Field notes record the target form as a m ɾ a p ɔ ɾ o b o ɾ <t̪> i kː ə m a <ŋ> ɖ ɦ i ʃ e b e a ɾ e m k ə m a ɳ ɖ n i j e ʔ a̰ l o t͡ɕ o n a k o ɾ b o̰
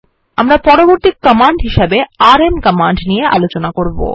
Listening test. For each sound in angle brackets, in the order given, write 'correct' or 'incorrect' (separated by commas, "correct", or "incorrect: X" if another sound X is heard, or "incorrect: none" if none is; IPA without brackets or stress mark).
correct, incorrect: ɳ